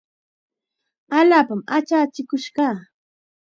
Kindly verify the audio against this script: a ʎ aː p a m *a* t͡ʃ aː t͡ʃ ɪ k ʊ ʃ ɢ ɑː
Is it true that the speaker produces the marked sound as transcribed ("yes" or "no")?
yes